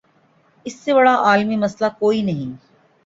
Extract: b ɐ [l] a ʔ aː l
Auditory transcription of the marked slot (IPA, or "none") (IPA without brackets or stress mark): ɽ